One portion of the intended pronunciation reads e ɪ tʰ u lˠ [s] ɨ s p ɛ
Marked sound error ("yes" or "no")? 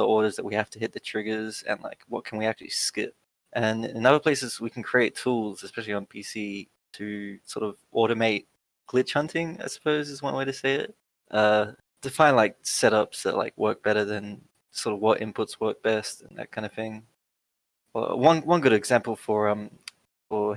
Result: yes